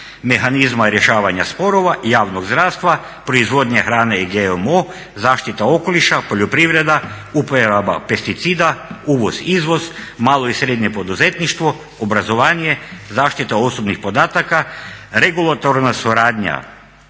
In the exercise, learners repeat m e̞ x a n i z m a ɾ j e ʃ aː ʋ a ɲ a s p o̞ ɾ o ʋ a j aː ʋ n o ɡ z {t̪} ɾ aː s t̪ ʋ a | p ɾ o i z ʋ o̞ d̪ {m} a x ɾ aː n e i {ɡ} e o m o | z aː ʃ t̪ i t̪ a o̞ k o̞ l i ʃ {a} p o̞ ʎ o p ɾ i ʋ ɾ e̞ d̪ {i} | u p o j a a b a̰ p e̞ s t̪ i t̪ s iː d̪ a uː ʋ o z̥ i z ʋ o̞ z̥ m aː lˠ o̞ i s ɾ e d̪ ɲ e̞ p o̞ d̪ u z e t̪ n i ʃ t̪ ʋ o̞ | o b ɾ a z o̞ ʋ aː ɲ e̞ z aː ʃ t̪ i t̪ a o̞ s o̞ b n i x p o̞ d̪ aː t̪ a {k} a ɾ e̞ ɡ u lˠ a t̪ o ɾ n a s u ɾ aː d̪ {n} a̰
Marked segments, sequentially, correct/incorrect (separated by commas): incorrect, incorrect, correct, correct, incorrect, correct, incorrect